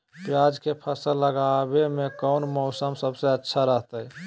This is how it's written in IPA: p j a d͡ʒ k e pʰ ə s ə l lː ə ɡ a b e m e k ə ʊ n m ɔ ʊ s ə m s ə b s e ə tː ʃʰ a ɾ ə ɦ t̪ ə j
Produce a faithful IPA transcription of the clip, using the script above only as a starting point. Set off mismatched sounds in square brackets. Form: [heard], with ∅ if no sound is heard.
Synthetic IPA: p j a d͡ʒ k e pʰ ə s ə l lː ə ɡ a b e m e k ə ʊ n m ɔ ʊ s ə m s ə b s e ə tː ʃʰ a ɾ ə ɦ t̪ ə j